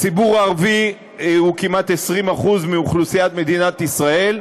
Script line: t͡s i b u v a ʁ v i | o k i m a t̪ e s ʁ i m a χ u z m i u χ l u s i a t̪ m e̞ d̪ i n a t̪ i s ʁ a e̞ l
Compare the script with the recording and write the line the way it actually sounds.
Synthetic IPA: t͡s i b u ʁ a ʁ v i | u k i m a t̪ e s ʁ i m a χ u z m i u χ l u s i a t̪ m e̞ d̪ i n a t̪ i s ʁ a e̞ l